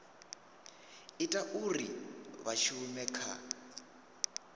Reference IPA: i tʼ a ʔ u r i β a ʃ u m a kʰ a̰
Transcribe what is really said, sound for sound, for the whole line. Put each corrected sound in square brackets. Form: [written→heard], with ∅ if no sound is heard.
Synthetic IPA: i tʼ a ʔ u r i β a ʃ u m [a→ɛ] kʰ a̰